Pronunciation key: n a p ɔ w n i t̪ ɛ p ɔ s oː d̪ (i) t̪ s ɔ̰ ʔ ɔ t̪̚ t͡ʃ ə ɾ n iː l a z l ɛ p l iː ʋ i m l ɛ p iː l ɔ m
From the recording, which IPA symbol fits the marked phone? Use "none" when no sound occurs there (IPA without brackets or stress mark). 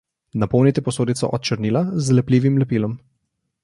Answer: i